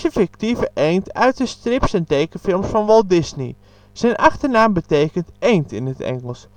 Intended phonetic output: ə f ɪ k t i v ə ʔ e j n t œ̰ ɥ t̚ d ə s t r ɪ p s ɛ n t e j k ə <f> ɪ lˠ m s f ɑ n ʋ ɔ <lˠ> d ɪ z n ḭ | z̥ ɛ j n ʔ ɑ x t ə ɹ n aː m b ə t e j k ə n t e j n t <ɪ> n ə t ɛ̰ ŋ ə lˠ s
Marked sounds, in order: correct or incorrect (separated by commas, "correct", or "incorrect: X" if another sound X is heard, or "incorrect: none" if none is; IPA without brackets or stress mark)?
correct, correct, correct